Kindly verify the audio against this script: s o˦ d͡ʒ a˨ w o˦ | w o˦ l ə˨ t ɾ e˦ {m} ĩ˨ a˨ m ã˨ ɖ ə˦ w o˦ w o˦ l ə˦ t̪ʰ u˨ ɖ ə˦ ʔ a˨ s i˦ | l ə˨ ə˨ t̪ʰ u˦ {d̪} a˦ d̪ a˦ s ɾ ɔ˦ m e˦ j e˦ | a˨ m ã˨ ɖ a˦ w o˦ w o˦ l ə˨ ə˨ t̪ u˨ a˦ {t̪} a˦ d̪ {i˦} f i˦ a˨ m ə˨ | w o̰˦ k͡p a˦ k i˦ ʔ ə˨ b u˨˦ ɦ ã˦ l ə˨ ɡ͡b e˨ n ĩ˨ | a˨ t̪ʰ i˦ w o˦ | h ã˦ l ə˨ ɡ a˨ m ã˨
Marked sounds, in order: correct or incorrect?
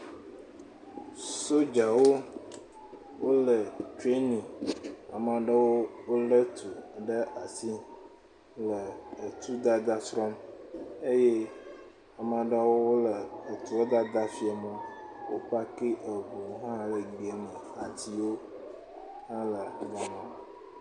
incorrect: n, correct, incorrect: d̪, incorrect: a˦

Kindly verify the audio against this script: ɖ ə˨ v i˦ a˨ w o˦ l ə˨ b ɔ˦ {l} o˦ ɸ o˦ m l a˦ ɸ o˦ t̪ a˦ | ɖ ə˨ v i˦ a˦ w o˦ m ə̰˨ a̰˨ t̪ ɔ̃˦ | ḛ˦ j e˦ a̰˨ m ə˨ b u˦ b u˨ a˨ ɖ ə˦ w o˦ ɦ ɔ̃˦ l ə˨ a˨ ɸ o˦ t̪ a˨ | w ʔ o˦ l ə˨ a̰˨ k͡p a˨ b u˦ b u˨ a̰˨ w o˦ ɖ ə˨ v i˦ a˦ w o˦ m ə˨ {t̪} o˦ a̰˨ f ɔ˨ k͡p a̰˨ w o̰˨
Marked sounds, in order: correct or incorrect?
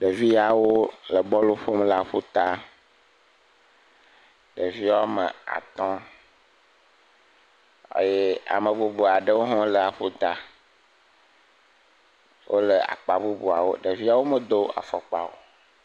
correct, incorrect: d̪

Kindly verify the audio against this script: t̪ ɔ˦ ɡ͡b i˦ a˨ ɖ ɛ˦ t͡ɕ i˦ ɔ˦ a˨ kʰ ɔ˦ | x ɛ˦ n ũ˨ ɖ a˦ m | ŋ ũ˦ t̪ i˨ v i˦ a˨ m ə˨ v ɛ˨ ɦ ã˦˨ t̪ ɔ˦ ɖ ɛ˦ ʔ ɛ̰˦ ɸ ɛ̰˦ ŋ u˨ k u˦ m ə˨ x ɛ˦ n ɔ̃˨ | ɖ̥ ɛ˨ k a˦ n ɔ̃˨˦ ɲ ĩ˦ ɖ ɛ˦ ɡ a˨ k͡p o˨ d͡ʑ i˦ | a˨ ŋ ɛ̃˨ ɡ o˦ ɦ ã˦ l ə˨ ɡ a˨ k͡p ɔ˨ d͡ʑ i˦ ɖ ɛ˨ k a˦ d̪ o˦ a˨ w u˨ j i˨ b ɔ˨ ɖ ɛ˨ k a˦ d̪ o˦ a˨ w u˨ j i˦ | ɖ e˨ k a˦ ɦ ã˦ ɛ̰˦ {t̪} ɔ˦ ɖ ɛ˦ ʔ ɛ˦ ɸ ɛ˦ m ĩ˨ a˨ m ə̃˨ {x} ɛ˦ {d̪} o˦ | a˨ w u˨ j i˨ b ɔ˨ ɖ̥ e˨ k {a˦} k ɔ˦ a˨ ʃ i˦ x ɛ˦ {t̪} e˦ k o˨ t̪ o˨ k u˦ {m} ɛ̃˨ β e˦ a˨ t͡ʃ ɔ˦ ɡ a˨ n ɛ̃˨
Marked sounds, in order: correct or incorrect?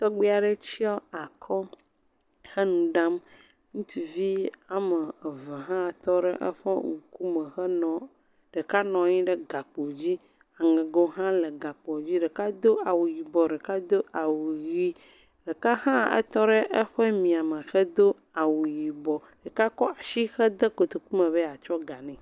correct, correct, correct, correct, incorrect: d̪, correct

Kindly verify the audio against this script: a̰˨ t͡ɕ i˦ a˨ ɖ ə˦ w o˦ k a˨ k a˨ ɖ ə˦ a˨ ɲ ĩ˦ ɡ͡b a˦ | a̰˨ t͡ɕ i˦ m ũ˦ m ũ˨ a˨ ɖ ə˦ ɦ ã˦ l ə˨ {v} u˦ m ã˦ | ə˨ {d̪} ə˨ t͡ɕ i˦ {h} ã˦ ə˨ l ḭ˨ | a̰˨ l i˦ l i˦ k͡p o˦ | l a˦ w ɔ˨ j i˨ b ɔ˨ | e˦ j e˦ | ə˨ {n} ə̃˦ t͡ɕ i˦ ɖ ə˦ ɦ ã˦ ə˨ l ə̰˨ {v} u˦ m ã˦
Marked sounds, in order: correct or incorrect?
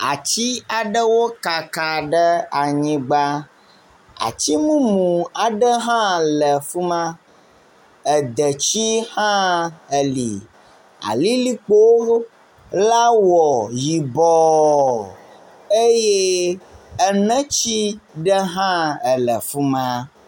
incorrect: f, correct, correct, correct, incorrect: f

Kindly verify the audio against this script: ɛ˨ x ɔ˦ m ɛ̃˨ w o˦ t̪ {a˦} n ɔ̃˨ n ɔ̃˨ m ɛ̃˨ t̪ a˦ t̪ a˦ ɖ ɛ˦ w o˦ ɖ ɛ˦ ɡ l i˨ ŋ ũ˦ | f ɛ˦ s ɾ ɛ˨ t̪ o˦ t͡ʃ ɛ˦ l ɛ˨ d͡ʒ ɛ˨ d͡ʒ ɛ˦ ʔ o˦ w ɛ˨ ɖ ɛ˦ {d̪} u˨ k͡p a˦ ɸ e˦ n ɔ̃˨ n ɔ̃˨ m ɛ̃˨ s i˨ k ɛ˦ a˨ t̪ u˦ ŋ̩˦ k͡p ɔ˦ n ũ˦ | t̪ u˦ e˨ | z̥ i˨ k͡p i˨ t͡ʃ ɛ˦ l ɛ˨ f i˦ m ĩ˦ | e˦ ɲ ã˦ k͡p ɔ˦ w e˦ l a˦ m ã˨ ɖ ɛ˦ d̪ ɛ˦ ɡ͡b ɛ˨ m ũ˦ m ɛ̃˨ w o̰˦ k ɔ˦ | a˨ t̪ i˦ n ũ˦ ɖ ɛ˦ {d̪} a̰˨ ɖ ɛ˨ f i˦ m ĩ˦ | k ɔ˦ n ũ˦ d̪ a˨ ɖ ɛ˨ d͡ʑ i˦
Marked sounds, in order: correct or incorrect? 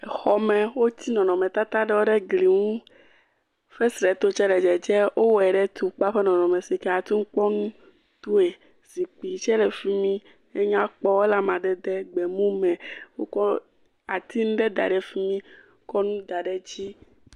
incorrect: i˦, incorrect: t̪, correct

